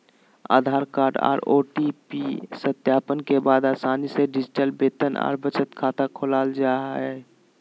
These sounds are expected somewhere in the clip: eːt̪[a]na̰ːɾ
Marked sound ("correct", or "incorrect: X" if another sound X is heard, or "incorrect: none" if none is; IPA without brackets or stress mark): incorrect: ə